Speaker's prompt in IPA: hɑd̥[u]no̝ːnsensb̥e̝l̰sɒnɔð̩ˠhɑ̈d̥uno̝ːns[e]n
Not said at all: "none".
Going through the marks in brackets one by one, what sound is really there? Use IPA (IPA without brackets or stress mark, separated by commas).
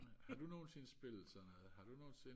u, e